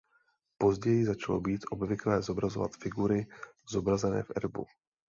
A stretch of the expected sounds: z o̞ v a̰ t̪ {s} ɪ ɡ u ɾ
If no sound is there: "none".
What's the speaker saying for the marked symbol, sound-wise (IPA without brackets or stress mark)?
f